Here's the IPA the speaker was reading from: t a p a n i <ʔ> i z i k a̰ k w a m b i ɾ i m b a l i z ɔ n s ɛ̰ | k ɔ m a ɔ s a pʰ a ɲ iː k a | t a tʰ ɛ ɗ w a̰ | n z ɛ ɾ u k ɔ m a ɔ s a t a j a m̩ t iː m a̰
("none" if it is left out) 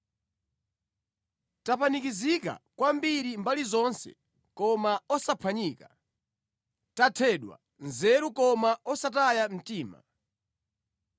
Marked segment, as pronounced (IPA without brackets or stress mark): k